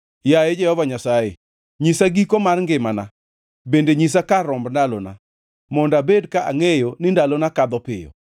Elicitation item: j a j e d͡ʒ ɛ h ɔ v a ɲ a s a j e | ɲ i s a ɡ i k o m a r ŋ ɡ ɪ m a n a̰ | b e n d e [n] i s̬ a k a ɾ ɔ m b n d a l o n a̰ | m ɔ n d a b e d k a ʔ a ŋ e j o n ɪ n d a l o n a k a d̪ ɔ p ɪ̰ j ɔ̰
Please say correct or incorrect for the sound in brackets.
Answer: incorrect: ɲ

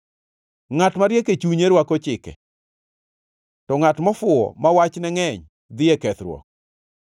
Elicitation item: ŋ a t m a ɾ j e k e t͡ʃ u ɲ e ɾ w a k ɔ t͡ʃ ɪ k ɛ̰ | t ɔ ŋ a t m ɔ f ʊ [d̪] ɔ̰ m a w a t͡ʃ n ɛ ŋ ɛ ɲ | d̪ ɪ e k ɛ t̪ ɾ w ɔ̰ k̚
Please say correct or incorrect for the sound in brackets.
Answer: incorrect: none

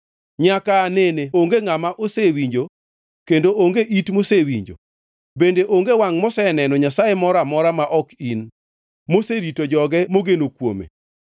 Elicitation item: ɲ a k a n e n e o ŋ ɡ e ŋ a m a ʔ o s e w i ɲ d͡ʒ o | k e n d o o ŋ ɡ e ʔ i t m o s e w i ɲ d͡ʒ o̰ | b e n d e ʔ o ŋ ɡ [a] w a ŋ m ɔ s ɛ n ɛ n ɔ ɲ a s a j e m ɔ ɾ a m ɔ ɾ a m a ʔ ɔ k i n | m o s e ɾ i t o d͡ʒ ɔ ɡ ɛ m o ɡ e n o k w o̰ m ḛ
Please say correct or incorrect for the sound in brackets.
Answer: incorrect: e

